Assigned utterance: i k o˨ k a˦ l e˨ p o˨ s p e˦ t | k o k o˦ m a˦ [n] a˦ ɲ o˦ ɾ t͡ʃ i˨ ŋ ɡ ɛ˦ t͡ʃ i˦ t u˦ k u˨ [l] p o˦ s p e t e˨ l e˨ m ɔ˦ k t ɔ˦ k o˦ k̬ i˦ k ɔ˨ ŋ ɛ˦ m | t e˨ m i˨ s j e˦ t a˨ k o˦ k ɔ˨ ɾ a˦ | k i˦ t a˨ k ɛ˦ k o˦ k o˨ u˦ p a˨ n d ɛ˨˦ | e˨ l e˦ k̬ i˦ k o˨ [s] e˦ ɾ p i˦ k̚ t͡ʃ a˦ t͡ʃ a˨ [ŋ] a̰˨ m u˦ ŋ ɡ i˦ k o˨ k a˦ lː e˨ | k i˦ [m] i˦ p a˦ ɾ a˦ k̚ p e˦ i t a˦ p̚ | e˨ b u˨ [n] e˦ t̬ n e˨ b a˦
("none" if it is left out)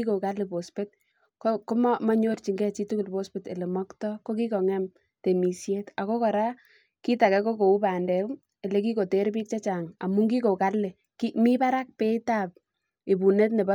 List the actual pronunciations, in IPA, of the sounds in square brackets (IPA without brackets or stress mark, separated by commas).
m, l, t, ŋ, m, n